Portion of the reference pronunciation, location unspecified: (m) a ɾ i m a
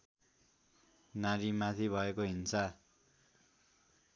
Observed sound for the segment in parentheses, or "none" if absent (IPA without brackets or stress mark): n